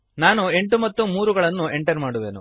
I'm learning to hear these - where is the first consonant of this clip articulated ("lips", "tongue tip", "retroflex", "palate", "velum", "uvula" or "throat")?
tongue tip